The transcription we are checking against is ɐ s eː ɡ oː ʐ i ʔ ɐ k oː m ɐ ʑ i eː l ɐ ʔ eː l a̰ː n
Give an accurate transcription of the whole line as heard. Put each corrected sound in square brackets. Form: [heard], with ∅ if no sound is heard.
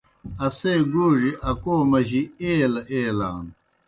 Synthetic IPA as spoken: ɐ s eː ɡ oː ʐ i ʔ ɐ k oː m ɐ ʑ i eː l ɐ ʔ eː l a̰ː n